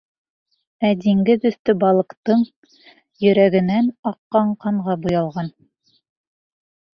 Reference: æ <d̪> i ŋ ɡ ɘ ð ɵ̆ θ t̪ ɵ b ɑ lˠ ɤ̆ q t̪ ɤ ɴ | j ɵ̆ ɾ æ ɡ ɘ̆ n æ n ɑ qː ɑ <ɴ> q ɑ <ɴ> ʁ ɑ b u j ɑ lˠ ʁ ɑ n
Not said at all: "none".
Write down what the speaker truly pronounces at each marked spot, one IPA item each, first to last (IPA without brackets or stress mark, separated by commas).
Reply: d̪, ɴ, ɴ